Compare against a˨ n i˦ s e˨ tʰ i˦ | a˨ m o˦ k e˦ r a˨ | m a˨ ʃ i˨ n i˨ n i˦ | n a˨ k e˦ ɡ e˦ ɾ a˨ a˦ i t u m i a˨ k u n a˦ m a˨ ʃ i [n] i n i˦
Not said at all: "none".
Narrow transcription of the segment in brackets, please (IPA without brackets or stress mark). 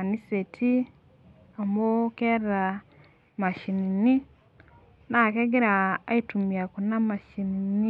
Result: n